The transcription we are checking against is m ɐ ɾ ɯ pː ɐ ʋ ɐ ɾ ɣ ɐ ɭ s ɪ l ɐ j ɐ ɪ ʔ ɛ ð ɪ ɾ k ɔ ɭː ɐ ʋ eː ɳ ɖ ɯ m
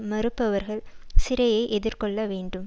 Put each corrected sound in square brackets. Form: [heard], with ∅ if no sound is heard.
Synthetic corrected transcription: m ɐ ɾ ɯ pː ɐ ʋ ɐ ɾ ɣ ɐ ɭ s ɪ [ɾ] ɐ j ɐ ɪ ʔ ɛ ð ɪ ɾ k ɔ ɭː ɐ ʋ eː ɳ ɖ ɯ m

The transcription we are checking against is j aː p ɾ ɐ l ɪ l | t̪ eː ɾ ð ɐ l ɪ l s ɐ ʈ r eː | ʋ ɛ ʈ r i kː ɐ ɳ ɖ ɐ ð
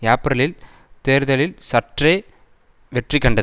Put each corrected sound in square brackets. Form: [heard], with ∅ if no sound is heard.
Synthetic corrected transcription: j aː p ɾ ɐ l ɪ l | t̪ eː ɾ ð ɐ l ɪ l s ɐ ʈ r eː | ʋ ɛ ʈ r i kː ɐ ɳ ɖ ɐ ð

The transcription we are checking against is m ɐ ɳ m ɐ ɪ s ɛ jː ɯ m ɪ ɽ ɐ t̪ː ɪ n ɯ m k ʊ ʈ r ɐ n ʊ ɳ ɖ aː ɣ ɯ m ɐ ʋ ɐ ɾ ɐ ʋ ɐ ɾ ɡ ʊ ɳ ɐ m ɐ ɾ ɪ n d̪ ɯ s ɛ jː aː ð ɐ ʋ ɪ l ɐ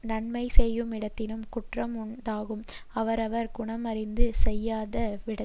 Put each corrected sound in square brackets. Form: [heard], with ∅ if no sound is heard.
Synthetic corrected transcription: [n] ɐ ɳ m ɐ ɪ s ɛ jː ɯ m ɪ ɽ ɐ t̪ː ɪ n ɯ m k ʊ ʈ r ɐ [m] ʊ ɳ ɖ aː ɣ ɯ m ɐ ʋ ɐ ɾ ɐ ʋ ɐ ɾ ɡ ʊ ɳ ɐ m ɐ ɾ ɪ n d̪ ɯ s ɛ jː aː ð ɐ ʋ ɪ [ɽ] ɐ

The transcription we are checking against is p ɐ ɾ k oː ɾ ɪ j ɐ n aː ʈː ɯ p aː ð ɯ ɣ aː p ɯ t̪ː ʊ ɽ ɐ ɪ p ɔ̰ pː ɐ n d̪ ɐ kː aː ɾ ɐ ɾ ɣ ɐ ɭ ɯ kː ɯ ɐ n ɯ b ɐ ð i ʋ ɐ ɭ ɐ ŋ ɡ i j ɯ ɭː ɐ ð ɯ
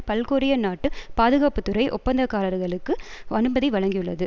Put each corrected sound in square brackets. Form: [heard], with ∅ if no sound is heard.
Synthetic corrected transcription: p ɐ [l] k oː ɾ ɪ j ɐ n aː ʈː ɯ p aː ð ɯ ɣ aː p ɯ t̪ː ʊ [ɾ] ɐ ɪ [ʔ] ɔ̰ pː ɐ n d̪ ɐ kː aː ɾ ɐ ɾ ɣ ɐ ɭ ɯ kː ɯ ɐ n ɯ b ɐ ð i ʋ ɐ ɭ ɐ ŋ ɡ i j ɯ ɭː ɐ ð ɯ

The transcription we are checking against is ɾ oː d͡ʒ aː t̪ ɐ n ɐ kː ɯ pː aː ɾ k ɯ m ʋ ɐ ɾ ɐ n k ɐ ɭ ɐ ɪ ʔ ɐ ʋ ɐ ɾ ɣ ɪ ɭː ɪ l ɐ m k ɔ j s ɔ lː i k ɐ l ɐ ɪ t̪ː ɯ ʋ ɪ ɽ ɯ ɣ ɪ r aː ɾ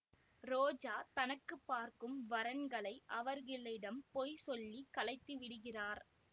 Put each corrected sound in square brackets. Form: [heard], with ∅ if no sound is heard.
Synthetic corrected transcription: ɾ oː d͡ʒ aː t̪ ɐ n ɐ kː ɯ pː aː ɾ k ɯ m ʋ ɐ ɾ ɐ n [ɡ] ɐ ɭ ɐ ɪ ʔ ɐ ʋ ɐ ɾ ɣ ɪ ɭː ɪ [ɽ] ɐ m [p] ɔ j s ɔ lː i k ɐ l ɐ ɪ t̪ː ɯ ʋ ɪ ɽ ɯ ɣ ɪ r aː ɾ

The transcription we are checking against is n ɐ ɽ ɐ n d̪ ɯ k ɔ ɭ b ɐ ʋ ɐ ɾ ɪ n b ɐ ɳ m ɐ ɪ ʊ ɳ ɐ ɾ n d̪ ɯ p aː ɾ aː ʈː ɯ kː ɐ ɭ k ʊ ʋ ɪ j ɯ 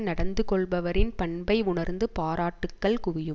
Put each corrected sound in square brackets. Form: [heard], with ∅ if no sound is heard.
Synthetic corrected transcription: n ɐ ɽ ɐ n d̪ ɯ k ɔ ɭ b ɐ ʋ ɐ ɾ ɪ n [p] ɐ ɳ [b] ɐ ɪ ʊ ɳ ɐ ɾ n d̪ ɯ p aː ɾ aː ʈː ɯ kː ɐ ɭ k ʊ ʋ ɪ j ɯ

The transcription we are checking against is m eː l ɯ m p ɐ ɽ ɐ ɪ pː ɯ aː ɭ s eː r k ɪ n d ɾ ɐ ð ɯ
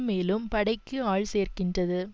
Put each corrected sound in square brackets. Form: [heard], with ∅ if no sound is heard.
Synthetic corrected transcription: m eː l ɯ m p ɐ ɽ ɐ ɪ [kː] ɯ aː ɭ s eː r k ɪ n d [r] ɐ ð ɯ

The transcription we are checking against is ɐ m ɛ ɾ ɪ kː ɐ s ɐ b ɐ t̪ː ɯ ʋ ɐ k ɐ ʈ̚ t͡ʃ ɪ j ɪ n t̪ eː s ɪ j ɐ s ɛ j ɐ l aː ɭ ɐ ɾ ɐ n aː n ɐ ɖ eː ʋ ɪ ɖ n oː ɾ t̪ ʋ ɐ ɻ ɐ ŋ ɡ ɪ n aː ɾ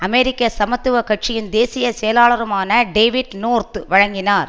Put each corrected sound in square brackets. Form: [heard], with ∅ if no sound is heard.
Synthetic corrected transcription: ɐ m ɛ ɾ ɪ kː ɐ s ɐ [m] ɐ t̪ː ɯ ʋ ɐ k ɐ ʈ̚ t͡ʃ ɪ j ɪ n [d̪] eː s ɪ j ɐ s ɛ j ɐ l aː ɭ ɐ ɾ ɐ [m] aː n ɐ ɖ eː ʋ ɪ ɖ n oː ɾ t̪ ʋ ɐ ɻ ɐ ŋ ɡ ɪ n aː ɾ

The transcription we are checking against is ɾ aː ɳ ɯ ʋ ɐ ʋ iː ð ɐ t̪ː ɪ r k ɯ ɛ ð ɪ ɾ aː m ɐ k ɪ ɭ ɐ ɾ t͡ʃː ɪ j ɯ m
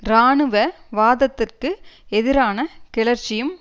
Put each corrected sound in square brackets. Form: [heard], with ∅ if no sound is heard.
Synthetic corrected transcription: ɾ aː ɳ ɯ ʋ ɐ ʋ [aː] ð ɐ t̪ː ɪ r k ɯ ɛ ð ɪ ɾ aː [n] ɐ k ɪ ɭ ɐ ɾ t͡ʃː ɪ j ɯ m

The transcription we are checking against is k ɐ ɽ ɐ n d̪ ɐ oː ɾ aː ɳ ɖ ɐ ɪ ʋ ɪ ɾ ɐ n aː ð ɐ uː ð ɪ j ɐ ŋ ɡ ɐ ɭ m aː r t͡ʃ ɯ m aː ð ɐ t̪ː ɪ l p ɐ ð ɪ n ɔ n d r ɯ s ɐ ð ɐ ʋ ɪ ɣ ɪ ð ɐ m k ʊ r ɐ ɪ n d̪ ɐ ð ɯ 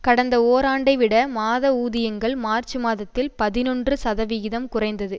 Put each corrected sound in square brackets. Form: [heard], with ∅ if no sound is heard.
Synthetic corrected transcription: k ɐ ɽ ɐ n d̪ ɐ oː ɾ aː ɳ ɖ ɐ ɪ ʋ ɪ [ɽ] ɐ [m] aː ð ɐ uː ð ɪ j ɐ ŋ ɡ ɐ ɭ m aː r t͡ʃ ɯ m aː ð ɐ t̪ː ɪ l p ɐ ð ɪ n ɔ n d r ɯ s ɐ ð ɐ ʋ ɪ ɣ ɪ ð ɐ m k ʊ r ɐ ɪ n d̪ ɐ ð ɯ

